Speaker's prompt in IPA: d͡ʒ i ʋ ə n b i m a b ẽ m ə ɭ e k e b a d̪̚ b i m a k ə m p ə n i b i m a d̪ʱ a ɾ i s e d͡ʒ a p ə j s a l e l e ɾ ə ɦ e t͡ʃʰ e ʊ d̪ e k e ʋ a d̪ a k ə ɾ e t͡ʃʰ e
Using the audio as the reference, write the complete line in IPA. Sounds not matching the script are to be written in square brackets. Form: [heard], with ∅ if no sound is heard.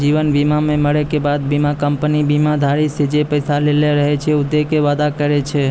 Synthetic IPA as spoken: d͡ʒ i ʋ ə n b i m a [m] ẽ m ə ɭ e k e b a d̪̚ b i m a k ə m p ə n i b i m a d̪ʱ a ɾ i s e d͡ʒ [e] p ə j s a l e l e ɾ ə ɦ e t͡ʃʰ e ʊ d̪ e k e ʋ a d̪ a k ə ɾ e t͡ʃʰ e